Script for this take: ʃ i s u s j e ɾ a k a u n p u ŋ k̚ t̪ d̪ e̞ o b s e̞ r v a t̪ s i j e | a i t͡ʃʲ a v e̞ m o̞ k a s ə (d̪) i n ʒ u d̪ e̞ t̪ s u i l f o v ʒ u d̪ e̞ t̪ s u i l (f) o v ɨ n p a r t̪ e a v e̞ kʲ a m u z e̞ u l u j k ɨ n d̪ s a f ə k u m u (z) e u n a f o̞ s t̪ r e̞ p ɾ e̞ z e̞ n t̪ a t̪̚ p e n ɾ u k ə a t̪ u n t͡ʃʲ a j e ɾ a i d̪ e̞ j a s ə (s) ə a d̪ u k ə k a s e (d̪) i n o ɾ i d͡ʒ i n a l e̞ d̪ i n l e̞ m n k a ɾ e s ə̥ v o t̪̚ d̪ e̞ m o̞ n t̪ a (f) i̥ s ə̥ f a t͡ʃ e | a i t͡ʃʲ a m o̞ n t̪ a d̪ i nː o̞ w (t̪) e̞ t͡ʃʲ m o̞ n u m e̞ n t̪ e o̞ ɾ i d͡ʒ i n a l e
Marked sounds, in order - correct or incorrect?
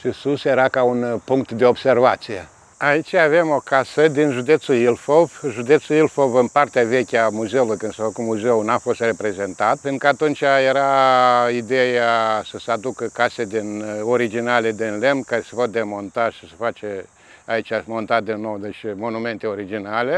correct, correct, correct, correct, correct, incorrect: ʃ, incorrect: d̪

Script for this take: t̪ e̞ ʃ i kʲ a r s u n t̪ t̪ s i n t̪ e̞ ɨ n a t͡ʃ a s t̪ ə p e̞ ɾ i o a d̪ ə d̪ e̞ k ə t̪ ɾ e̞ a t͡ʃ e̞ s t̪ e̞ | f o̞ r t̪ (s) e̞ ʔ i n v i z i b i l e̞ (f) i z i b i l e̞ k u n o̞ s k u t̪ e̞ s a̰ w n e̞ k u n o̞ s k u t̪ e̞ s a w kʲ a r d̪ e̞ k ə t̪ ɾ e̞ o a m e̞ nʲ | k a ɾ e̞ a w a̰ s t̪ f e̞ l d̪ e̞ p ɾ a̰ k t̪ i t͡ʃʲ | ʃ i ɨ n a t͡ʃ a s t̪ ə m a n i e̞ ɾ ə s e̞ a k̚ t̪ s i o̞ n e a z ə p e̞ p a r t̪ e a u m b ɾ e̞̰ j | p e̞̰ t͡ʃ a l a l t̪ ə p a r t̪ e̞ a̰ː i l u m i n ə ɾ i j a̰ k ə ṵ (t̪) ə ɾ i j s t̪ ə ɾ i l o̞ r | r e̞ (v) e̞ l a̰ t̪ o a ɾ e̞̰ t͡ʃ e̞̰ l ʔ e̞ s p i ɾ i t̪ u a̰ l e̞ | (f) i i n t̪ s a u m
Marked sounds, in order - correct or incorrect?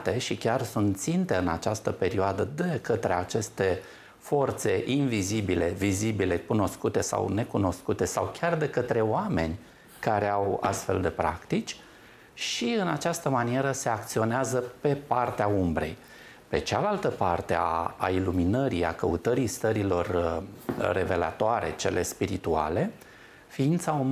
correct, incorrect: v, correct, correct, correct

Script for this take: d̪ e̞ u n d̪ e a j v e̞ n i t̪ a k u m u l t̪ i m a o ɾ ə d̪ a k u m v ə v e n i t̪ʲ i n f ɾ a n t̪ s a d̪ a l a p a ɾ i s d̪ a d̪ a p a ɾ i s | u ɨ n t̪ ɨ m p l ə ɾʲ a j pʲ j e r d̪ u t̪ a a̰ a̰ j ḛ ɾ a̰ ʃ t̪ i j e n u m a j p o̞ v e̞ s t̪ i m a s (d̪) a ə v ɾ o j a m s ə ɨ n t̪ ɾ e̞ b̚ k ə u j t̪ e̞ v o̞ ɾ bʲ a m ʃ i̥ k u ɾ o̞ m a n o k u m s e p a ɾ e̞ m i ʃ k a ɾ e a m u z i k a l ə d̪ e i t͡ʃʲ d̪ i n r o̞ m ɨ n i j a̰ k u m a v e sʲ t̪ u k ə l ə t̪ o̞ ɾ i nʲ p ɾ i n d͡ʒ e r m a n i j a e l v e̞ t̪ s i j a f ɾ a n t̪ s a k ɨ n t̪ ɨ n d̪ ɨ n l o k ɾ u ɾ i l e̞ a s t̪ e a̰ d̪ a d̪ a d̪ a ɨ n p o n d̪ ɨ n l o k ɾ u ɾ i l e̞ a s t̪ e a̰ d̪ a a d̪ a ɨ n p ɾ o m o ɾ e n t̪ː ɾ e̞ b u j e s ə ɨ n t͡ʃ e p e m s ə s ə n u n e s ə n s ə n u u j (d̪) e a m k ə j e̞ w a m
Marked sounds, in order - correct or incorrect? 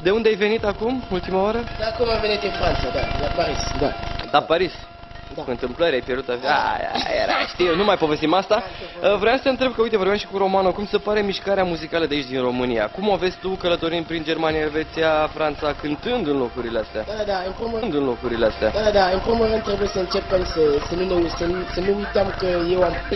incorrect: t̪, incorrect: t̪

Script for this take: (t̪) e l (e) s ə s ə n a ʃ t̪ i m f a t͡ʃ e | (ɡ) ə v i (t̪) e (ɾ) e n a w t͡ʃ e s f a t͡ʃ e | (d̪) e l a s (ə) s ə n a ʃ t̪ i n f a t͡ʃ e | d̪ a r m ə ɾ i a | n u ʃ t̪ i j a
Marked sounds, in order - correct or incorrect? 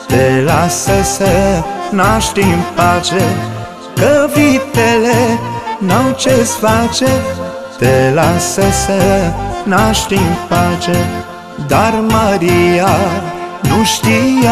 correct, incorrect: a, incorrect: k, correct, incorrect: l, incorrect: t̪, correct

